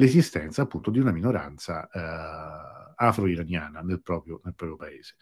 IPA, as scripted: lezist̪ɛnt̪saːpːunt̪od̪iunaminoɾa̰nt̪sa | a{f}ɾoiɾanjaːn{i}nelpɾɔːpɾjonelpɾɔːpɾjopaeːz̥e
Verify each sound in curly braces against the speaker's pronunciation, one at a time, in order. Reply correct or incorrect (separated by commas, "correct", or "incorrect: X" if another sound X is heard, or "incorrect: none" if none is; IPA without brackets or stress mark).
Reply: correct, incorrect: a